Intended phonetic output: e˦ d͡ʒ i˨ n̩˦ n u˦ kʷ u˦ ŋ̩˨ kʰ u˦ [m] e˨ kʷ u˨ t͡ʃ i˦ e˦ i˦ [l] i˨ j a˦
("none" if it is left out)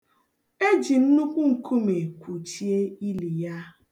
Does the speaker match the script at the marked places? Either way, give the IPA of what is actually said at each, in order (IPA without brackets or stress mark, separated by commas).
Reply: m, l